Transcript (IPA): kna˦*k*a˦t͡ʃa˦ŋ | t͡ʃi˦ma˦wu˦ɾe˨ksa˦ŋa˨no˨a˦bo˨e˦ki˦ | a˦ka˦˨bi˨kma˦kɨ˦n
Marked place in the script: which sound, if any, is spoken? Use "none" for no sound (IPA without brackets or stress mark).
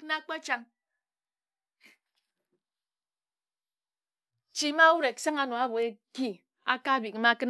k͡p